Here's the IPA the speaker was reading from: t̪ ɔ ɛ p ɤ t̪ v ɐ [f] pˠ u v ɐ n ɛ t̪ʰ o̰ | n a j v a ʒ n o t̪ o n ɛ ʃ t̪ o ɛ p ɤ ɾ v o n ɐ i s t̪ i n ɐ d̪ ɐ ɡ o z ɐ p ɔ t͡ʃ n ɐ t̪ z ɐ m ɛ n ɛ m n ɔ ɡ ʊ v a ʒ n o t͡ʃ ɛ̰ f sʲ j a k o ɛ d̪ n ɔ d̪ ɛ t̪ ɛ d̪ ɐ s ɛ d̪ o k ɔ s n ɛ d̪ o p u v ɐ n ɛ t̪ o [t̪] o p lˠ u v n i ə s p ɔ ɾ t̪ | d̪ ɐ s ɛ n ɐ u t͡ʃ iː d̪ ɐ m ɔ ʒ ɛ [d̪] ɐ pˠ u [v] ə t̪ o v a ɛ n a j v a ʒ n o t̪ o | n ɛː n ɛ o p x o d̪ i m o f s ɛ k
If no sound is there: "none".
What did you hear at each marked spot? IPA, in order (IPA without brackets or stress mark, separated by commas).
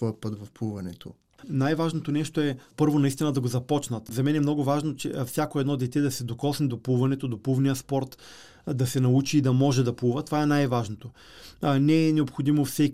f, d̪, d̪, v